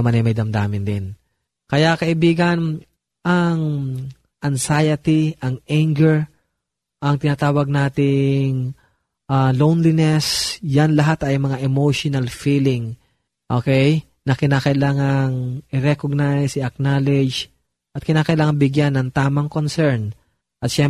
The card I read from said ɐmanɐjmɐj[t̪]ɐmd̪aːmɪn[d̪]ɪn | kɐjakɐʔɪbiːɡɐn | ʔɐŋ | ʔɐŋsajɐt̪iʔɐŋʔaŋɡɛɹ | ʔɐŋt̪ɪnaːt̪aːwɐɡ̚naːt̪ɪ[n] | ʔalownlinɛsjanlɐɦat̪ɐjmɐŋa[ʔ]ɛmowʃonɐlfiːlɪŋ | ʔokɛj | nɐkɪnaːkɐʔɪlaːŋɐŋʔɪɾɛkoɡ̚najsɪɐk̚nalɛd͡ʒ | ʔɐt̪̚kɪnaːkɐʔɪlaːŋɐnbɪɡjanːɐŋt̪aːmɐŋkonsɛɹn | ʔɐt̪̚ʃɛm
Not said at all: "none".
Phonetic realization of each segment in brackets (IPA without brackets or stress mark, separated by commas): d̪, d̪, ŋ, ʔ